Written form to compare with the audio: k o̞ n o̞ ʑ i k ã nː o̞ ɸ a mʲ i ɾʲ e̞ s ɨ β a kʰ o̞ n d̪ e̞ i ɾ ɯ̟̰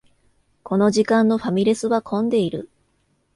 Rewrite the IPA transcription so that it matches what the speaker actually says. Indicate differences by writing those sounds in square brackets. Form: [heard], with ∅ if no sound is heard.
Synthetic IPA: k o̞ n o̞ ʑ i k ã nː o̞ ɸ a mʲ i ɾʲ e̞ s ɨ β a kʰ [õ̞] n d̪ e̞ i ɾ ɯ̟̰